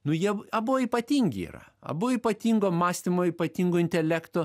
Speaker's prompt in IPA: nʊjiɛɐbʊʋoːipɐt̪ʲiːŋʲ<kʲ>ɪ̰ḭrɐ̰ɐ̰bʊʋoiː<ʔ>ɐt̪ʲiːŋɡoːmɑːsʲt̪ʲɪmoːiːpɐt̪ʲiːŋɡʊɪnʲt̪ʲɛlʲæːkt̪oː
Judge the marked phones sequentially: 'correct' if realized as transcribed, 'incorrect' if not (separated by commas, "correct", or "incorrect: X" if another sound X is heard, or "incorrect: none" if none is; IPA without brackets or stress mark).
incorrect: ɡʲ, incorrect: p